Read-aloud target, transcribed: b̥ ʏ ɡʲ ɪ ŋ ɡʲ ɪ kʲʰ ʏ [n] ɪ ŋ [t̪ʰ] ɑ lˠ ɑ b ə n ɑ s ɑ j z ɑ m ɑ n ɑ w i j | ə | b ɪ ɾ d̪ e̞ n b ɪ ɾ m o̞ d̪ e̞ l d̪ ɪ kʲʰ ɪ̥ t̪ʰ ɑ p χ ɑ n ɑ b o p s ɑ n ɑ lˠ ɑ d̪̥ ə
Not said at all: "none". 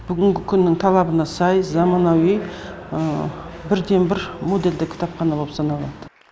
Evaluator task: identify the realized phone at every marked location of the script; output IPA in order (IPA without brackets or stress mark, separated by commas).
nː, t̪ʰ